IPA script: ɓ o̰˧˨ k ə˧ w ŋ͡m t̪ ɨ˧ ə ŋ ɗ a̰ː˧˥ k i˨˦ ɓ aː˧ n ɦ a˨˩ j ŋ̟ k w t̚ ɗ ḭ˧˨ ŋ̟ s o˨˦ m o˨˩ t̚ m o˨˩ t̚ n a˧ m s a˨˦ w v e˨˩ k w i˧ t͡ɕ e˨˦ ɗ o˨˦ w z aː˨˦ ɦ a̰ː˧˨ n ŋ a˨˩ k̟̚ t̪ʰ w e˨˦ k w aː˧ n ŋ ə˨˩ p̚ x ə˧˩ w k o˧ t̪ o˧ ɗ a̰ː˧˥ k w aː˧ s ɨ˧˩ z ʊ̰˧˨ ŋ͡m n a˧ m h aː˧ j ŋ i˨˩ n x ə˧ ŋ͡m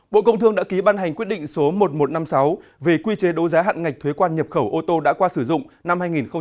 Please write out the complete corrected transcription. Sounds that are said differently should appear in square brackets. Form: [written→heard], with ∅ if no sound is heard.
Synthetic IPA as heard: ɓ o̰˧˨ k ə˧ w ŋ͡m t̪ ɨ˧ ə ŋ ɗ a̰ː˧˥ k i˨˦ ɓ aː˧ n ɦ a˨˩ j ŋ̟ k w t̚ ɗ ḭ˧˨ ŋ̟ s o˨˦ m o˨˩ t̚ m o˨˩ t̚ n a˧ m s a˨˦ w v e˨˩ k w i˧ t͡ɕ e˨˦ ɗ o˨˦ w z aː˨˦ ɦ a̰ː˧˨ n ŋ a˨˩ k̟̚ t̪ʰ w e˨˦ k w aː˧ n [ŋ→ɲ] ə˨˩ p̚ x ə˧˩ w [k→ʔ] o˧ t̪ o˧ ɗ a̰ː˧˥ k w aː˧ s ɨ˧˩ z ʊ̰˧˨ ŋ͡m n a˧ m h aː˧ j ŋ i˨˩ n x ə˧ ŋ͡m